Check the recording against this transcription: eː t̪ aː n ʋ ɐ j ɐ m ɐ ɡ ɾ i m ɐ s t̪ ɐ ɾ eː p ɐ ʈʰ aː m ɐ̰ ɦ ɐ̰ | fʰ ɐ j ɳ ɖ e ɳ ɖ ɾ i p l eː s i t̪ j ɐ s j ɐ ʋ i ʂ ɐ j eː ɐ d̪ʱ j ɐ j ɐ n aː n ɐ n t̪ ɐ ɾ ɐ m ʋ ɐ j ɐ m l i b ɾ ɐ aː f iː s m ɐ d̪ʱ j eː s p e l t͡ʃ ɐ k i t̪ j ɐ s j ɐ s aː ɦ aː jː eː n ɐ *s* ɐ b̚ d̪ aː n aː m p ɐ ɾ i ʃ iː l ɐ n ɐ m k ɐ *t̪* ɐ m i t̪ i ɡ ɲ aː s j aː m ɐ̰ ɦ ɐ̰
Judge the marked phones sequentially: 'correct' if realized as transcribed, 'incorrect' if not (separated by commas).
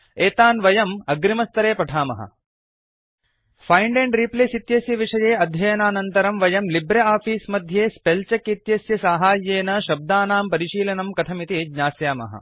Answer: incorrect, incorrect